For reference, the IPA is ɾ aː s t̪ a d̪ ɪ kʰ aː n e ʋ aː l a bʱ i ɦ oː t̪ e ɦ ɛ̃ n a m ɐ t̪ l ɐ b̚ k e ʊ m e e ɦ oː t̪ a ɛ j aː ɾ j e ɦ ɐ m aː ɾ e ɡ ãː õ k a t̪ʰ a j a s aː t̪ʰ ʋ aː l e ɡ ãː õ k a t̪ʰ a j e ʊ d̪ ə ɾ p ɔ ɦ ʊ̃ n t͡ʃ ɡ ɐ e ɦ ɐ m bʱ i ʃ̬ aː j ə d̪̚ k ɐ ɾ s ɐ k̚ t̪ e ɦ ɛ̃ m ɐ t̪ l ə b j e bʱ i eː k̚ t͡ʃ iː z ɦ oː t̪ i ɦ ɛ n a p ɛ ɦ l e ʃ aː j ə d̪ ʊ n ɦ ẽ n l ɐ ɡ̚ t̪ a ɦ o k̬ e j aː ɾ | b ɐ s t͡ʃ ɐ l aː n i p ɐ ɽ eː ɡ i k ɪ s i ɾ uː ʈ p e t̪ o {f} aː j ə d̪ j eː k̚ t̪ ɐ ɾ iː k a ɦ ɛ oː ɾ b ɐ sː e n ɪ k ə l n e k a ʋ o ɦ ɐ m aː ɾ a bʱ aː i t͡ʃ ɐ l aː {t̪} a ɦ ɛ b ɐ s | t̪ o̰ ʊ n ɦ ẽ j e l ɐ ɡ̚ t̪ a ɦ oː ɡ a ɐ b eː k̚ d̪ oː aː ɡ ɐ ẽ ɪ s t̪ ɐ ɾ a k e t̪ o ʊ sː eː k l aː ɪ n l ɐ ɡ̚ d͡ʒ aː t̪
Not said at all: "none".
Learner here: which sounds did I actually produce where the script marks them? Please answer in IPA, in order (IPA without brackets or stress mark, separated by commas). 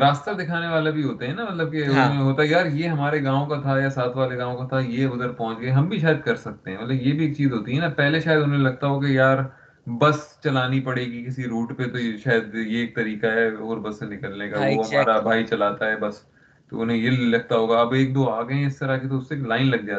ʃ, t̪